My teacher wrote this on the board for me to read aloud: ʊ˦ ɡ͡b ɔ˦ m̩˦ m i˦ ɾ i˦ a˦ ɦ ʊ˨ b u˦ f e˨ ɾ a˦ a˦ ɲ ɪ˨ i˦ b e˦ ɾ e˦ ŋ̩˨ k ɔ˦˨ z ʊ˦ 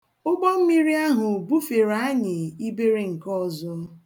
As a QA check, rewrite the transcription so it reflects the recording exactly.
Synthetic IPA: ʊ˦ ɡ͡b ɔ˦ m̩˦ m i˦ ɾ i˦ a˦ ɦ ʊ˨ b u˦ f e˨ ɾ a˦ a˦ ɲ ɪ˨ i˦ b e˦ ɾ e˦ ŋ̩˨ k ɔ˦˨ z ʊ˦